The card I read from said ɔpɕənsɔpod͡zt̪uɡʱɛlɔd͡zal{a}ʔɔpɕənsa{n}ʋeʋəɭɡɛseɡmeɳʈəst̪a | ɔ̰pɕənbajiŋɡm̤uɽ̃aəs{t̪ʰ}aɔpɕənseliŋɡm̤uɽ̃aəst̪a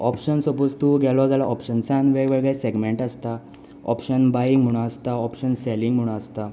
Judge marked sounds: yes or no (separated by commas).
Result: yes, yes, no